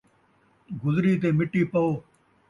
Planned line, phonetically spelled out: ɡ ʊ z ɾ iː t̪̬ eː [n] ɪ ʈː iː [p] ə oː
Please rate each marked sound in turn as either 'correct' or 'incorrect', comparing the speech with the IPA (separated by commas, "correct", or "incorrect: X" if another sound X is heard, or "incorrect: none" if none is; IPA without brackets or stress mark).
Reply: incorrect: m, correct